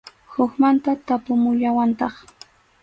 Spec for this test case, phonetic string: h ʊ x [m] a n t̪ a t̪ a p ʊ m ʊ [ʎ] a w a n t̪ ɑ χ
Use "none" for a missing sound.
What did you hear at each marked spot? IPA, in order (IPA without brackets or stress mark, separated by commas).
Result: m, ʎ